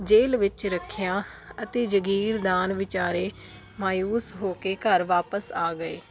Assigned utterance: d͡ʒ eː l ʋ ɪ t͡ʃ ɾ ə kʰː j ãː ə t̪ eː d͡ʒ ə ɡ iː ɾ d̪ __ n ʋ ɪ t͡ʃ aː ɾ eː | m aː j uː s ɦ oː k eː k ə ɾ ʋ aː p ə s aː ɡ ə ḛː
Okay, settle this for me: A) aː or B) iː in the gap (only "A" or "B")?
A